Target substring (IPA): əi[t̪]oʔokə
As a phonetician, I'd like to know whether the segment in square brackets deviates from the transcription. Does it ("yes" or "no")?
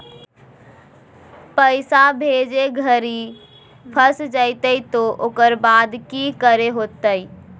no